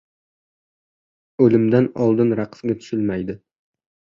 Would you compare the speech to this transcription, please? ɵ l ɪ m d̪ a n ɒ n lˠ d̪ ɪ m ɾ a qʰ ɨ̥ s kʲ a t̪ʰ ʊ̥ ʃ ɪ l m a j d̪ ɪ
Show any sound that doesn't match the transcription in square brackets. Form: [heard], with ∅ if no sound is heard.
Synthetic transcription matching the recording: ɵ l ɪ m d̪ a n ɒ [∅] lˠ d̪ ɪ [n] ɾ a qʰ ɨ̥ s [ɡʲ] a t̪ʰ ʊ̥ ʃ ɪ l m a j d̪ ɪ